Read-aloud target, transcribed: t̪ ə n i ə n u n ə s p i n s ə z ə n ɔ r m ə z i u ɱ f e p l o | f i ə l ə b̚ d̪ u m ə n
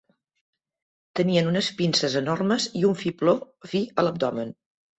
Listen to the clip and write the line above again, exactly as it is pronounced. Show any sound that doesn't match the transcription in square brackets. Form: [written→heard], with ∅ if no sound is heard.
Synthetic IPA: t̪ ə n i ə n u n ə s p i n s ə z ə n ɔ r m ə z i u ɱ f [e→i] p l o | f i ə l ə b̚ d̪ [u→ɔ] m ə n